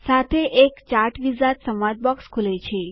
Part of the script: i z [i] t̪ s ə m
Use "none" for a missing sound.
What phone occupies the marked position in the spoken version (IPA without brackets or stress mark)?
a